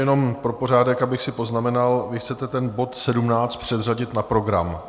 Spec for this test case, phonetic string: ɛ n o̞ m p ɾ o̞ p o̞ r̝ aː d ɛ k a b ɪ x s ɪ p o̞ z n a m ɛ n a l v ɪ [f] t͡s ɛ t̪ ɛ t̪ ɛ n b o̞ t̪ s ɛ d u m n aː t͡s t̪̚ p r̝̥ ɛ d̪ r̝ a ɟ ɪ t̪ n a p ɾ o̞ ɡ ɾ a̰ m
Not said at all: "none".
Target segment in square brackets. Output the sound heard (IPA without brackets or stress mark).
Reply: x